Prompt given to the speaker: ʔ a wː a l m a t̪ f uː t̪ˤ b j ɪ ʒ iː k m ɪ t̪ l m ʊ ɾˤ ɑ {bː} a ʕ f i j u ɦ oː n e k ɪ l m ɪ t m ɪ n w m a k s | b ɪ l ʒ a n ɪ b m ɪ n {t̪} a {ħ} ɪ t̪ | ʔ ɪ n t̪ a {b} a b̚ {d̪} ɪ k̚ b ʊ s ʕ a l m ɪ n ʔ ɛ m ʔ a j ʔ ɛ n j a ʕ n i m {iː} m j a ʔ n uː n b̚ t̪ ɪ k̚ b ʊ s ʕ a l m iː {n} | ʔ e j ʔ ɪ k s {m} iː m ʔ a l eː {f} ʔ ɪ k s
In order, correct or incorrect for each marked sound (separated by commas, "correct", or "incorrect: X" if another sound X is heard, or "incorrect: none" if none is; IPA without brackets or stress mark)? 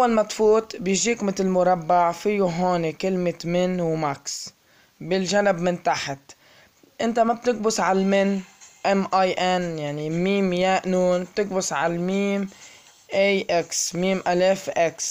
correct, correct, correct, incorrect: m, incorrect: t̪, correct, incorrect: m, correct, correct